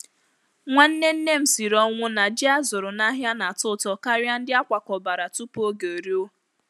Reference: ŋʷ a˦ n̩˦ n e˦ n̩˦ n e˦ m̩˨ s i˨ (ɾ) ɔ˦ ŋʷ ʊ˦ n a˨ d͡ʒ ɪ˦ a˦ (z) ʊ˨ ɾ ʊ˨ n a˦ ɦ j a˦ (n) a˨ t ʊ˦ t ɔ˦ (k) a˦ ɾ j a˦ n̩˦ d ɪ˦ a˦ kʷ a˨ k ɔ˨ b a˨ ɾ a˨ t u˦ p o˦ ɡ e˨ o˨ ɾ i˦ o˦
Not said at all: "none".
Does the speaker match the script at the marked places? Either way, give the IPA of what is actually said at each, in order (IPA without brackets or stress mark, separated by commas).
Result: ɾ, z, n, k